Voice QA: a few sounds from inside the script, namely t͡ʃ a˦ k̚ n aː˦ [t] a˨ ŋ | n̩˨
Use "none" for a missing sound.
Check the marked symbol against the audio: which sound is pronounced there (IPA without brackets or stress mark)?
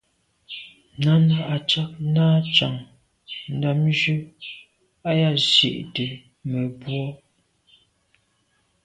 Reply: t͡ʃ